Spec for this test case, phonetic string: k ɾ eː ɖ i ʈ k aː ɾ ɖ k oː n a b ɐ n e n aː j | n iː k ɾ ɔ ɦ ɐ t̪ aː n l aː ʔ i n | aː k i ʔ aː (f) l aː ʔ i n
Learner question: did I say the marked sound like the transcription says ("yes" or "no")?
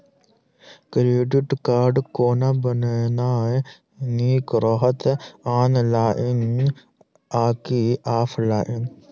yes